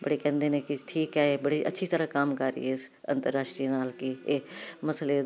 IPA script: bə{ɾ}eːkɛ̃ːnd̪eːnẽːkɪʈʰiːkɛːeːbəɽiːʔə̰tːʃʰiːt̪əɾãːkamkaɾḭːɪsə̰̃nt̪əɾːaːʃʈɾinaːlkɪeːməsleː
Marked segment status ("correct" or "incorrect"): incorrect